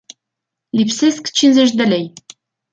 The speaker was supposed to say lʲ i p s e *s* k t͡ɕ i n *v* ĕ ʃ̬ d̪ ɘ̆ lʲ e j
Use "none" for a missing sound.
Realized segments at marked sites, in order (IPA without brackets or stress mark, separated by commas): s, z